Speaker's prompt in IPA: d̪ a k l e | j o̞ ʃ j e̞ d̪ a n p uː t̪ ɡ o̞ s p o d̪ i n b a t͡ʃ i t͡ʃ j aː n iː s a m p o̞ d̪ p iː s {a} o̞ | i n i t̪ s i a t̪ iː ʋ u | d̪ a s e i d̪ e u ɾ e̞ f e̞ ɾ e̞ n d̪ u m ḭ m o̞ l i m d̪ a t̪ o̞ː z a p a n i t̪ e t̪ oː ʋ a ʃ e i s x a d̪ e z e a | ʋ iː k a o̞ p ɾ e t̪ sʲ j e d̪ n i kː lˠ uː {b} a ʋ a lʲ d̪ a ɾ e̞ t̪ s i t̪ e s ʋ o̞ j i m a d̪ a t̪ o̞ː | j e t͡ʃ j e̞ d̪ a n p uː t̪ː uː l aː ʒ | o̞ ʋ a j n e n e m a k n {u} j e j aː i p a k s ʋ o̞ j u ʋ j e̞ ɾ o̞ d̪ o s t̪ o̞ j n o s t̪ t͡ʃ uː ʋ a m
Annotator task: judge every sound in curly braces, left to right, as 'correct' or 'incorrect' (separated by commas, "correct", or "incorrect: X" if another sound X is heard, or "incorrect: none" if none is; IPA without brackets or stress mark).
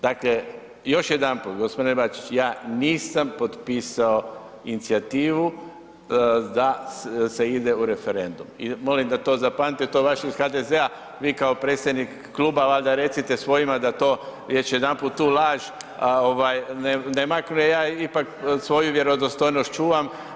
correct, correct, correct